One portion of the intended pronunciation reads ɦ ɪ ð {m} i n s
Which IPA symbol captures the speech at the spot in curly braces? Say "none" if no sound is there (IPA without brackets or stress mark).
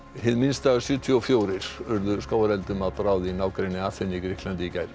m